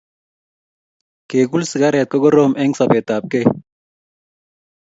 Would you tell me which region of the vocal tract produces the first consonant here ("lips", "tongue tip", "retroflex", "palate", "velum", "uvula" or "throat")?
velum